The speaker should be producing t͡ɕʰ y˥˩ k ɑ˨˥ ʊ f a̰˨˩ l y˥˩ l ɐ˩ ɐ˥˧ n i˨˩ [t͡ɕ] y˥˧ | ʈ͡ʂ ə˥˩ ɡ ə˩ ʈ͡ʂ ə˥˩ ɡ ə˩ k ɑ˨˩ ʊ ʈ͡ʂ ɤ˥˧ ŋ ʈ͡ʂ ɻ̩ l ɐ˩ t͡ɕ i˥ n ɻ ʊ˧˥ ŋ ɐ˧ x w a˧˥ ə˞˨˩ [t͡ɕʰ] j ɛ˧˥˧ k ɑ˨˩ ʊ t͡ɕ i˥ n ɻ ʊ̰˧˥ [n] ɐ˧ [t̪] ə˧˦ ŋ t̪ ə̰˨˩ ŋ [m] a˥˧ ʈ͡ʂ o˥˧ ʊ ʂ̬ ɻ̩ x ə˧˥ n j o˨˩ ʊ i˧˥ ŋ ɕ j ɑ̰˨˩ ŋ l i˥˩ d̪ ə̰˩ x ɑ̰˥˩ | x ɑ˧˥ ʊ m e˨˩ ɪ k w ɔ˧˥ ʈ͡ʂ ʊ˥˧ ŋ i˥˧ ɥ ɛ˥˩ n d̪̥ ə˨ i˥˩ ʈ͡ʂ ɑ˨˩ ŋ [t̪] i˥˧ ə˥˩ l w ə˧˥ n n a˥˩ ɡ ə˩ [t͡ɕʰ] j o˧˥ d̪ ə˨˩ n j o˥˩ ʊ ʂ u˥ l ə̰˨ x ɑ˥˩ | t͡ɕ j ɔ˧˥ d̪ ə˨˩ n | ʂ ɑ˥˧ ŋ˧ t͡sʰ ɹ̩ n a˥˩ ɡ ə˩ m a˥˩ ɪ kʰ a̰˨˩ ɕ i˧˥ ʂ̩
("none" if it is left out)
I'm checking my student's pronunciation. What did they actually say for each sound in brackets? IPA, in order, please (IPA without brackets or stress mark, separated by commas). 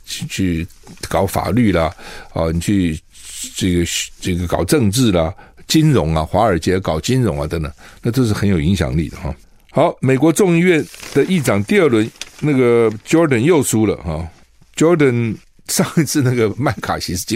t͡ɕʰ, t͡ɕ, ŋ, t̪, n, t̪, t͡ɕ